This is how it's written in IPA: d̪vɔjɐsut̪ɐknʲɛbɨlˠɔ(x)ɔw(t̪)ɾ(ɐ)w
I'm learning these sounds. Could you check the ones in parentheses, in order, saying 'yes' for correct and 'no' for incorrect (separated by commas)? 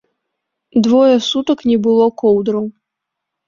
no, no, yes